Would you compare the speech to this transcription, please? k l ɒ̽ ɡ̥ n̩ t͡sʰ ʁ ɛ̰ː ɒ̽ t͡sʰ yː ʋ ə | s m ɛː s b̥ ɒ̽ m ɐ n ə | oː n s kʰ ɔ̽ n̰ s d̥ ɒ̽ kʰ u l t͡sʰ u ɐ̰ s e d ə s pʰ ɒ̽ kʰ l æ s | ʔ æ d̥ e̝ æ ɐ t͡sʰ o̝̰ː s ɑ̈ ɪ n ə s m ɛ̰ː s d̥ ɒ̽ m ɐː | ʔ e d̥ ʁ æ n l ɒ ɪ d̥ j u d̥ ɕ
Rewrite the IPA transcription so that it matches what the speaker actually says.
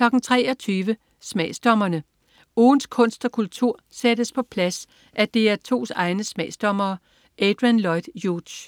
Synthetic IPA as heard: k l ɒ̽ ɡ̥ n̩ t͡sʰ ʁ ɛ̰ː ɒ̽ t͡sʰ yː ʋ ə | s m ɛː s d̥ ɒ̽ m ɐ n ə | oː n s kʰ ɔ̽ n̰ s d̥ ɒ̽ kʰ u l t͡sʰ u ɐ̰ s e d ə s pʰ ɒ̽ pʰ l æ s | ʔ æ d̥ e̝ æ ɐ t͡sʰ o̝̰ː s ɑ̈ ɪ n ə s m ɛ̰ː s d̥ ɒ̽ m ɐː | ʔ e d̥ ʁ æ n l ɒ ɪ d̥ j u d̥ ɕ